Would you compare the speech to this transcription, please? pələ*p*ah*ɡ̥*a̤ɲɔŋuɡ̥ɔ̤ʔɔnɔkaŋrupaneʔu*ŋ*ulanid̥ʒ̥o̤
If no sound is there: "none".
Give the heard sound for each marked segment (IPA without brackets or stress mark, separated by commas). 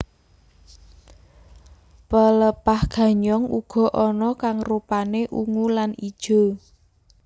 p, ɡ̥, ŋ